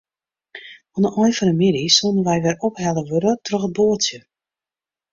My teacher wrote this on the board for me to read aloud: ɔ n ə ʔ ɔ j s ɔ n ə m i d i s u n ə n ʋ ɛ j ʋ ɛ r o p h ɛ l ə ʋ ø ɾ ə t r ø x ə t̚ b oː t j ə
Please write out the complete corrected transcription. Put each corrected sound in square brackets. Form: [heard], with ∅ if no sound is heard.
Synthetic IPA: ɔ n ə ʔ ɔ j [f] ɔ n ə m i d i s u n ə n ʋ ɛ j ʋ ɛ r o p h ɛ l ə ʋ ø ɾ ə t r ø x ə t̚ b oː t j ə